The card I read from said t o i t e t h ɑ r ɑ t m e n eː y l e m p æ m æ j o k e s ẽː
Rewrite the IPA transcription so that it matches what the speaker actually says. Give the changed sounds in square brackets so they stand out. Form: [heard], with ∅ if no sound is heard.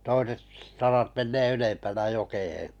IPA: t o i [s] e t [s] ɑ r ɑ t m e [nː] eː y l e m p æ [n] æ j o k e [h] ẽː

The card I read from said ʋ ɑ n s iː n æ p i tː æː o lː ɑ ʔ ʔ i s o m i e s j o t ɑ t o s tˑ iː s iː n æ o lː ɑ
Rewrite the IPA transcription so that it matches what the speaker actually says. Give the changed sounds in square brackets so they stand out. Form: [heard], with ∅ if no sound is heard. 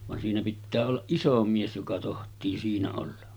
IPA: ʋ ɑ n s iː n æ p i tː æː o lː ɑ ʔ ʔ i s o m i e s j o [k] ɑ t o [h] tˑ iː s iː n æ o lː ɑ

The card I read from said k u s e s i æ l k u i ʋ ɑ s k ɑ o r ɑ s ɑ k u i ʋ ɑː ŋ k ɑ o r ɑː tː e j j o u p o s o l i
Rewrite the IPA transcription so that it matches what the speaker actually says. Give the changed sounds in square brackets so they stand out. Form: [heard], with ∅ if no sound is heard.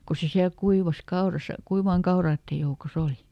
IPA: k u s e s i æ l k u i ʋ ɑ s k ɑ o r ɑ s ɑ k u i ʋ ɑː ŋ k ɑ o r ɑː tː e j j o u [k] o s o l i

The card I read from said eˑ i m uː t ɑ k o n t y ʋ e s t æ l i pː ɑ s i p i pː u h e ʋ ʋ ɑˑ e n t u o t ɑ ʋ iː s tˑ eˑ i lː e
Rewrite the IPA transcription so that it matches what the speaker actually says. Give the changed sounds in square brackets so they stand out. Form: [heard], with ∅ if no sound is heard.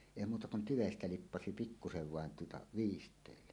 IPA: eˑ i m uː t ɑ k [u] n t y ʋ e s t æ l i pː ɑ s i p i [kː] u [s] e ʋ ʋ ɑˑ e n t u o t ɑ ʋ iː s tˑ eˑ i lː e

